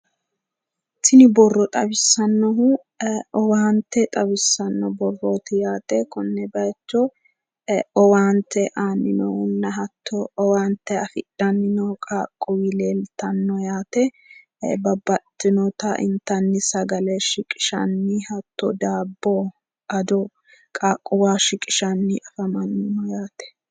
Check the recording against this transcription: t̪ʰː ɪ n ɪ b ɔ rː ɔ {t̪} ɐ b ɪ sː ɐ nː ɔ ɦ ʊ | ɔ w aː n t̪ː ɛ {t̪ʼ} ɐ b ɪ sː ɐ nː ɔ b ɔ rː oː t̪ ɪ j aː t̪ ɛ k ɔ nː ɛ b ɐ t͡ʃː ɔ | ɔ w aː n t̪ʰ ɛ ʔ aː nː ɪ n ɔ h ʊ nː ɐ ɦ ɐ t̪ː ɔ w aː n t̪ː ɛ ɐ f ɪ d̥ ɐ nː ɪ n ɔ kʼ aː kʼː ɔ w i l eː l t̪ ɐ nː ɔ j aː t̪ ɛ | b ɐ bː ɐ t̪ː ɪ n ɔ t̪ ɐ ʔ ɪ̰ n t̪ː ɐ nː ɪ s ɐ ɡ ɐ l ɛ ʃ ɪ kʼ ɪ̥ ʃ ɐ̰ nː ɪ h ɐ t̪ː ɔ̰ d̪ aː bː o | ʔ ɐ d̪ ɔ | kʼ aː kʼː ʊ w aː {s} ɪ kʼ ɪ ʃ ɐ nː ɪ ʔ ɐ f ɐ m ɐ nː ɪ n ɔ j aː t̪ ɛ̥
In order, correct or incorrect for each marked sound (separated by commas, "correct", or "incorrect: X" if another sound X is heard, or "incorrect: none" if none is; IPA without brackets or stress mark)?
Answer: incorrect: t̪ʼ, correct, incorrect: ʃ